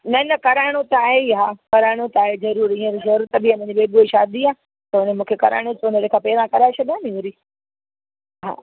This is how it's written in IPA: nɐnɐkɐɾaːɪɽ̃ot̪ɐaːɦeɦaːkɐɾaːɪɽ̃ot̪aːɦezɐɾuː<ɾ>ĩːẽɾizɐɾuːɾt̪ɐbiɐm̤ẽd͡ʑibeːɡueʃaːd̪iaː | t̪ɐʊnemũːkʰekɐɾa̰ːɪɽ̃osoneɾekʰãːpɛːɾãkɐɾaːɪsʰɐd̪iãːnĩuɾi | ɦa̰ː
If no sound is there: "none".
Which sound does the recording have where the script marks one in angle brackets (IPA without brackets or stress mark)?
ɾ